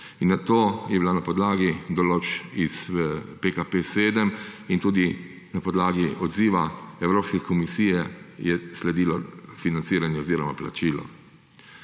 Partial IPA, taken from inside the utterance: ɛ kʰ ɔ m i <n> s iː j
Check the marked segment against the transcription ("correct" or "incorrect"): incorrect